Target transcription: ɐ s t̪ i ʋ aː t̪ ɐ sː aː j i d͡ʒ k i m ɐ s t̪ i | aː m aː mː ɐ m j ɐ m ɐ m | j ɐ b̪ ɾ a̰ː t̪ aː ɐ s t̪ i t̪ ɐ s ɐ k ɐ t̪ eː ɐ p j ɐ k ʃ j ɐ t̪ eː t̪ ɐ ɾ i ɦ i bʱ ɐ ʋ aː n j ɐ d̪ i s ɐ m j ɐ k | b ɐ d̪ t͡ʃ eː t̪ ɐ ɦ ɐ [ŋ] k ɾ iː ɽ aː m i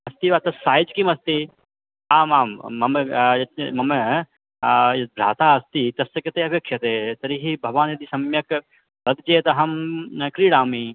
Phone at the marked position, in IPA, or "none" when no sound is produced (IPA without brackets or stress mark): m